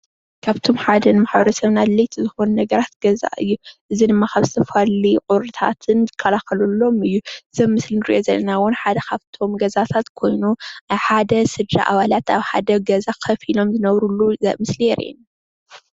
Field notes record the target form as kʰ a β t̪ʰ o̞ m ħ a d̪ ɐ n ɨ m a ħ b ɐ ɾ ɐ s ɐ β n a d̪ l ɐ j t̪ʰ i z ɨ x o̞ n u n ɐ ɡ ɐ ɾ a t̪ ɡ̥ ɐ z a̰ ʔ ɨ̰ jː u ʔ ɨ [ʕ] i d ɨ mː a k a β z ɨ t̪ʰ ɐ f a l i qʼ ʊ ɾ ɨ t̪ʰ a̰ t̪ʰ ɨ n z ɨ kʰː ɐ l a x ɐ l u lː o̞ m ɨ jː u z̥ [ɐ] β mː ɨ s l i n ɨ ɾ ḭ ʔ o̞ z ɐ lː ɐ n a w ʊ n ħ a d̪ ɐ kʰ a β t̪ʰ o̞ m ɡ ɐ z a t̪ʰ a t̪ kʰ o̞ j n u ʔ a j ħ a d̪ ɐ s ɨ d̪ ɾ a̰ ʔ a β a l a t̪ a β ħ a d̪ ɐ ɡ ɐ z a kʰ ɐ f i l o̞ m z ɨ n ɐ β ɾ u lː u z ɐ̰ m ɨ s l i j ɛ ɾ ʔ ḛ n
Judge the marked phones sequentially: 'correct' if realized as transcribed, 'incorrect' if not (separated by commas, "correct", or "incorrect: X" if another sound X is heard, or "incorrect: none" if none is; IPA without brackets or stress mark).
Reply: incorrect: z, correct